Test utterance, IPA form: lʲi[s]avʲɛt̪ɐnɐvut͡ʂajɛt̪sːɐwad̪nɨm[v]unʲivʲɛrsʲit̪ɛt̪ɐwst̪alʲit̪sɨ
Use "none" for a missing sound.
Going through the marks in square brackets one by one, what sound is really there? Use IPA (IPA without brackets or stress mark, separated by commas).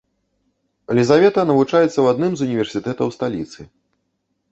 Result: z, z